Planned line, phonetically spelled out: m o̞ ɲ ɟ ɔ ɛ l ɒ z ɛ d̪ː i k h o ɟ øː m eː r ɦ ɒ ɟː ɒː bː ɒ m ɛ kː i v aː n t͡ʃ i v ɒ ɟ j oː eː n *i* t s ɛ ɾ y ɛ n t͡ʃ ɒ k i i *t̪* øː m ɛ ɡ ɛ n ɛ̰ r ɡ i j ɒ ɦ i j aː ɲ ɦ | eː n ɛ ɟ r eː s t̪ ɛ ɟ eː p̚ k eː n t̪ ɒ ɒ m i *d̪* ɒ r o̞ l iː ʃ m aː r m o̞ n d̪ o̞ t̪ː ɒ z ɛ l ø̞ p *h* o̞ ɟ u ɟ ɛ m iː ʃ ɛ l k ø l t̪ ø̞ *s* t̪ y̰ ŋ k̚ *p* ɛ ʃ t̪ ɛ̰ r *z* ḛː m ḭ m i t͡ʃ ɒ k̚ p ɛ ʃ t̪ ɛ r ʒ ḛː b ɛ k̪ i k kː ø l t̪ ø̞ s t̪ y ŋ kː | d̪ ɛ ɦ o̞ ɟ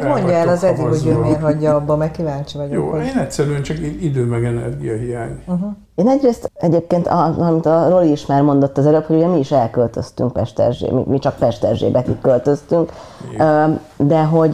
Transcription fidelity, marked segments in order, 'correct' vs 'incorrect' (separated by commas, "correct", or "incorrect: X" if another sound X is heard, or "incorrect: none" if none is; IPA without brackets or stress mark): incorrect: ɛ, incorrect: d̪, incorrect: t̪, correct, correct, correct, incorrect: ʒ